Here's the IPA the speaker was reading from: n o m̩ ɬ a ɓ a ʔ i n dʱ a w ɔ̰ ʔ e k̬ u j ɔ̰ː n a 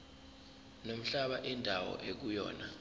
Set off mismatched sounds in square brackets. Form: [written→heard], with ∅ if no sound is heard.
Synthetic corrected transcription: n o m̩ ɬ a ɓ a ʔ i n dʱ a w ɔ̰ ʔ e k̬ u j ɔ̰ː n a